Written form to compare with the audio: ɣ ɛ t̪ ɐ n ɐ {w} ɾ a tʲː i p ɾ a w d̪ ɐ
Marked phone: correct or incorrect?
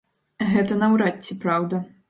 correct